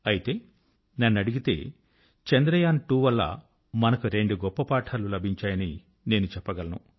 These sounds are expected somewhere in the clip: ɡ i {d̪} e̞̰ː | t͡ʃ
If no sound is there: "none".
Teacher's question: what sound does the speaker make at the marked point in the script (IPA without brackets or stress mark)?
t̪